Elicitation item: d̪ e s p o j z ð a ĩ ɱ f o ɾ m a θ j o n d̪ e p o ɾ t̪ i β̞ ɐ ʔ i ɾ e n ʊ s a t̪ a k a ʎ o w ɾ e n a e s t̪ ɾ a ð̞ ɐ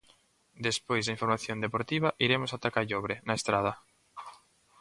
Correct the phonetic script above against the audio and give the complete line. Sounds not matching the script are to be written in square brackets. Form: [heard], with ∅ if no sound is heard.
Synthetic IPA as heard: d̪ e s p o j z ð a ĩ ɱ f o ɾ m a θ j o n d̪ e p o ɾ t̪ i β̞ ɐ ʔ i ɾ e [m] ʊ s a t̪ a k a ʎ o [β] ɾ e n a e s t̪ ɾ a ð̞ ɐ

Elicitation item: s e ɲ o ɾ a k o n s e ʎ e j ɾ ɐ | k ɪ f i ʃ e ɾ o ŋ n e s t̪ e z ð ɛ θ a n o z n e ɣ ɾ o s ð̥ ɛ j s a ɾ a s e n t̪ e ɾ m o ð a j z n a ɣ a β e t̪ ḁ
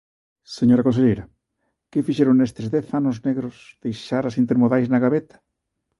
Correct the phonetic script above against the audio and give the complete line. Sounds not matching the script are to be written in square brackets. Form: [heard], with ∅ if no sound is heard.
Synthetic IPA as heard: s e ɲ o ɾ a k o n s e ʎ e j ɾ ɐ | k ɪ f i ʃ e ɾ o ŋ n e s t̪ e z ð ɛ θ a n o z n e ɣ ɾ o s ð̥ [e] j [ʃ] a ɾ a s [i] n t̪ e ɾ m o ð a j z n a ɣ a β e t̪ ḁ

